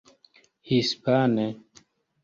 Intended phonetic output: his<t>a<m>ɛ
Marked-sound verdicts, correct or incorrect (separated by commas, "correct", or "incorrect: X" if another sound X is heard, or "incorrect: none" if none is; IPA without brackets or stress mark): incorrect: p, incorrect: n